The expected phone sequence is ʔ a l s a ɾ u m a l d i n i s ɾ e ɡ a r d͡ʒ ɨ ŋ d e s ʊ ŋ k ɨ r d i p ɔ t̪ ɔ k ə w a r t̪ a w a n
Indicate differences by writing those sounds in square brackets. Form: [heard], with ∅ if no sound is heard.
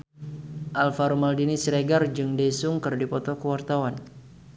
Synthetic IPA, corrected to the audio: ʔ a l [f] a ɾ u m a l d i n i s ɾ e ɡ a r d͡ʒ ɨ ŋ d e s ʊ ŋ k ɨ r d i p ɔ t̪ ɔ k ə w a r t̪ a w a n